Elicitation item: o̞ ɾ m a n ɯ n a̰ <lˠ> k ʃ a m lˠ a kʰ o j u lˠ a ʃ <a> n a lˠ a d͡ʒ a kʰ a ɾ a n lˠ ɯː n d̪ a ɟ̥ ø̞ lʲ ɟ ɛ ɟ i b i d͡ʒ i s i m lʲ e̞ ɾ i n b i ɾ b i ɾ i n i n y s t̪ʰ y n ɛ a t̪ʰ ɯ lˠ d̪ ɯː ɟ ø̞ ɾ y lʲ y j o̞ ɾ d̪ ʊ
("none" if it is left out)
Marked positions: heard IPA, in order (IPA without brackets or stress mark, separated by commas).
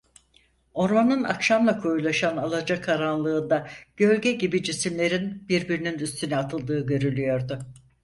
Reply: none, a